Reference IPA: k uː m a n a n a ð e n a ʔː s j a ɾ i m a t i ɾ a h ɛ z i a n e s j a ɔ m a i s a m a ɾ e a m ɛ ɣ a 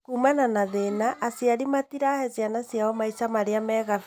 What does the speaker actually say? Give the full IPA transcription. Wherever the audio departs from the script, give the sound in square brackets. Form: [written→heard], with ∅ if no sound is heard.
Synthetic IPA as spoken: k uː m a n a n a ð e n a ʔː s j a ɾ i m a t i ɾ a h ɛ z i a n [e→a] s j a ɔ m a i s a m a ɾ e a m ɛ ɣ a